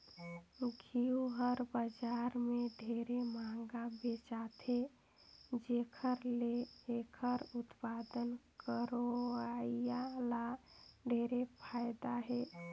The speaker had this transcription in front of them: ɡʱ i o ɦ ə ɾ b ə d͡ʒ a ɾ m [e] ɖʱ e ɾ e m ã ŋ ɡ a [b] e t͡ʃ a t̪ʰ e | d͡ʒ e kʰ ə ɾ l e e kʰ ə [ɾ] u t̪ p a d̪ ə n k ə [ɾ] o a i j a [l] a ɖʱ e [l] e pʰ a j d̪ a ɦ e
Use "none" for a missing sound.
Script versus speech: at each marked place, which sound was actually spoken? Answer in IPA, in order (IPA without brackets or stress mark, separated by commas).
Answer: e, b, ɾ, ɾ, l, ɾ